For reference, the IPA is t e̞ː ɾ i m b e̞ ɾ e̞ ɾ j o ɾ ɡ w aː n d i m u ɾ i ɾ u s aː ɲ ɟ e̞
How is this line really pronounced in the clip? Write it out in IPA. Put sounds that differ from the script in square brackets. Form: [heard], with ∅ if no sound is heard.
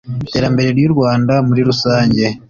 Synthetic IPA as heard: t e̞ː ɾ [a] m b e̞ ɾ e̞ ɾ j [u] ɾ ɡ w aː n d [a] m u ɾ i ɾ u s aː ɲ ɟ e̞